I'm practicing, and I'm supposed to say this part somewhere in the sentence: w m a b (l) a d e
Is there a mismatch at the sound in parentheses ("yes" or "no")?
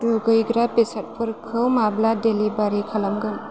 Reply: no